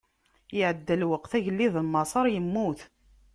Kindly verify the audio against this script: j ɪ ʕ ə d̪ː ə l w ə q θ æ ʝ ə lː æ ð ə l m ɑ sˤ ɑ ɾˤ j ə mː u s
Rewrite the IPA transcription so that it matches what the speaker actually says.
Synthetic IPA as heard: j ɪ ʕ ə d̪ː ə l w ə q θ æ ʝ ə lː i ð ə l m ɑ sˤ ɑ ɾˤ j ə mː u θ